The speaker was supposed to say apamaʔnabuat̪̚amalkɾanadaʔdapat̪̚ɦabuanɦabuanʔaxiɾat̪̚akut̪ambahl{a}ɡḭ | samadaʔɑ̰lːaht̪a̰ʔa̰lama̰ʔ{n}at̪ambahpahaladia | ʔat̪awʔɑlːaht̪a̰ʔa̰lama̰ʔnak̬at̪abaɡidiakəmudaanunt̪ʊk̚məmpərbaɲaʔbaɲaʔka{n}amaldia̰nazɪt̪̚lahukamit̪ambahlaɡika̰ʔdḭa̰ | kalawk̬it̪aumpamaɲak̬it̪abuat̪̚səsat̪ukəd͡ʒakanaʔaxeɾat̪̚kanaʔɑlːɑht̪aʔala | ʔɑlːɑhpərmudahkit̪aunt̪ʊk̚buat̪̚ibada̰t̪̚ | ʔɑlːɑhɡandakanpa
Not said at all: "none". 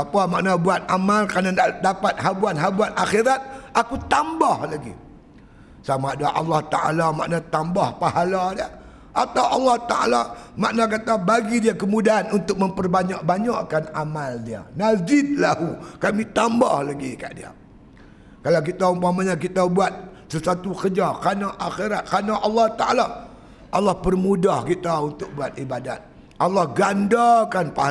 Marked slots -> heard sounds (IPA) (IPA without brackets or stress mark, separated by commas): a, n, n